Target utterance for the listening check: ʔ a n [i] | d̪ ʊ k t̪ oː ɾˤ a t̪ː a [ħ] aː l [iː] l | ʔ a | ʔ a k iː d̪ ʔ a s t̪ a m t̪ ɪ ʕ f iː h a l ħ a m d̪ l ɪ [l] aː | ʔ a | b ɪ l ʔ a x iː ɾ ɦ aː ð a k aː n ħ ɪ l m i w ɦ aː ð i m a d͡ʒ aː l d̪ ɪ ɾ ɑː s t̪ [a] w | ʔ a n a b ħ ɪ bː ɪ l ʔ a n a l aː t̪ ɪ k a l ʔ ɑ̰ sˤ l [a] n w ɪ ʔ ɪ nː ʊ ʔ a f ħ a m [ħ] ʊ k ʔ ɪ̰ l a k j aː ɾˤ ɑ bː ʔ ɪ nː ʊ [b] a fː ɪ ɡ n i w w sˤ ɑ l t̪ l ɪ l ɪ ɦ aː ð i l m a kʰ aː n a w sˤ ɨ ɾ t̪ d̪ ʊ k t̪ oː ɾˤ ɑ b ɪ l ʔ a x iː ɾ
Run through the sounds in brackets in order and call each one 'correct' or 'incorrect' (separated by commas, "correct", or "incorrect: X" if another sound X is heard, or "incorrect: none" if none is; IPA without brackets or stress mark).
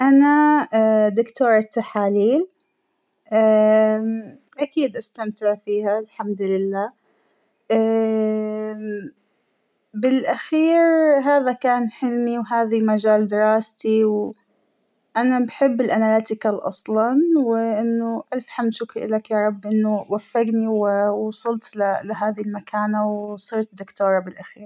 incorrect: a, correct, correct, incorrect: lː, incorrect: i, incorrect: ɑ, incorrect: ʃ, incorrect: w